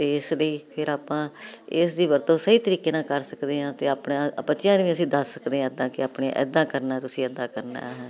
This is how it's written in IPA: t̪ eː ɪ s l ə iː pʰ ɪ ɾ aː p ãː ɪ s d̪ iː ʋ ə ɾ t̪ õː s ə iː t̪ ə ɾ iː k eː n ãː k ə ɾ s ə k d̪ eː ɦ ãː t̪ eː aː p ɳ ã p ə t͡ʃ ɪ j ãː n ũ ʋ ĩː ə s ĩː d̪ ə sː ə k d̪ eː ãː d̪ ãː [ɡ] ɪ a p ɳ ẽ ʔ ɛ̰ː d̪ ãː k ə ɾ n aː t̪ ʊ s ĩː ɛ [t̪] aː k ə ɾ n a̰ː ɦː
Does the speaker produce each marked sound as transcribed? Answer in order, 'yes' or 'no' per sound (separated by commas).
no, no